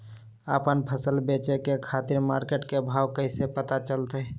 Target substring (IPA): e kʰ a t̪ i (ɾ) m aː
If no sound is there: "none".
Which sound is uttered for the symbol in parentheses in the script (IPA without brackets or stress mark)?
ɾ